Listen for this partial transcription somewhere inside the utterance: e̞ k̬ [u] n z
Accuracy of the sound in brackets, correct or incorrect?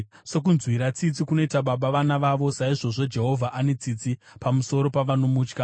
correct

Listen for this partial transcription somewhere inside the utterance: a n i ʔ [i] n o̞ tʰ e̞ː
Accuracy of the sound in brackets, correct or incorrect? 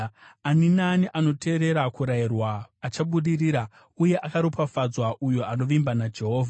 incorrect: a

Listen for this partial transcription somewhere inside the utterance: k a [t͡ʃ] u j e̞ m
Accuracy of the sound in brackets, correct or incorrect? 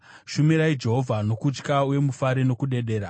incorrect: none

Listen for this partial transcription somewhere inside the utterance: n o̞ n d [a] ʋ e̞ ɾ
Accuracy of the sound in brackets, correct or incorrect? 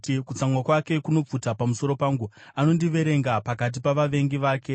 incorrect: i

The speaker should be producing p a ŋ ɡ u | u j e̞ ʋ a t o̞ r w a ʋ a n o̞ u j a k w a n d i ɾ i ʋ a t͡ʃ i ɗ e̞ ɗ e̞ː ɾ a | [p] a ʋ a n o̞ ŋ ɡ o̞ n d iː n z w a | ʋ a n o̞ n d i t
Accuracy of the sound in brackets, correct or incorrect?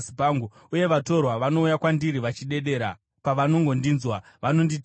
correct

